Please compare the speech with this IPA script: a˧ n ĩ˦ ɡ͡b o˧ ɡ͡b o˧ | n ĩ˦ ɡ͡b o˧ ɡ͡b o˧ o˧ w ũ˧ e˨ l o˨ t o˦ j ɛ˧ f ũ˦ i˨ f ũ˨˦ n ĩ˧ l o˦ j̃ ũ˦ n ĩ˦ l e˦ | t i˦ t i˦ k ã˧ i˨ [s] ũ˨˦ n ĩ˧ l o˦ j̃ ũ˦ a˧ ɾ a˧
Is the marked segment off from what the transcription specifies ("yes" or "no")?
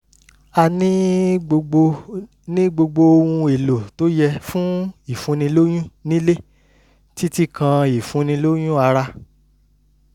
yes